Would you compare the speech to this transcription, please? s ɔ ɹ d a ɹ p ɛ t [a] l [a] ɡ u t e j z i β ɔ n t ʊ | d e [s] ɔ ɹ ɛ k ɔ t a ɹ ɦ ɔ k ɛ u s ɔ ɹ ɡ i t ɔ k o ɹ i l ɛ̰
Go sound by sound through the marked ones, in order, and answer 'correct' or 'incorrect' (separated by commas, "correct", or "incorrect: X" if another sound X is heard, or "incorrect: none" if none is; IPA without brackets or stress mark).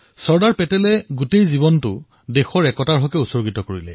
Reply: incorrect: ɛ, incorrect: ɛ, incorrect: x